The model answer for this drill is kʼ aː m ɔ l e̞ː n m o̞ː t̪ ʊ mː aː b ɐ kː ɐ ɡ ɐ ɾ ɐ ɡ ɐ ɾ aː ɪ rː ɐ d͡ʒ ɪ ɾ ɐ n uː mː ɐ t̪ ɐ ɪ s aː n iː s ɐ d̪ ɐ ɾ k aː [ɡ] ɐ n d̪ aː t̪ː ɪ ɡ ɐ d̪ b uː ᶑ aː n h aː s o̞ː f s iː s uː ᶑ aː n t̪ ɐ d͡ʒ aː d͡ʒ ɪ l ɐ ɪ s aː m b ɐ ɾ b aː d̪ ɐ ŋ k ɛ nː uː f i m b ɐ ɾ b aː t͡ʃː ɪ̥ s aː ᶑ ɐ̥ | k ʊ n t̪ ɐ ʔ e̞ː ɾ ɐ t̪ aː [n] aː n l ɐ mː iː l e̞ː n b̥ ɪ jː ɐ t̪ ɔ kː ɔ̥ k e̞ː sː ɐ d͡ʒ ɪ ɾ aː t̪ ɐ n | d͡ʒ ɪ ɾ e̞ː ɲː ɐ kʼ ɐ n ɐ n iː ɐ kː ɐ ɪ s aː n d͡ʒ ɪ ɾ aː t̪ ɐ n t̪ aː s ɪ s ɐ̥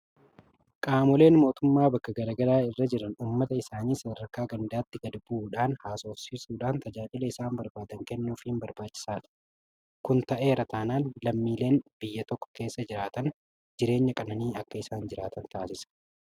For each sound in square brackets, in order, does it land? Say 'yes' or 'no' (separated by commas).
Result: yes, yes